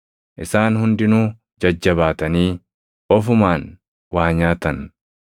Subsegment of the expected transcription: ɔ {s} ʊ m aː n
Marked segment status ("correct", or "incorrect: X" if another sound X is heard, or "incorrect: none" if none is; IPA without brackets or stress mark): incorrect: f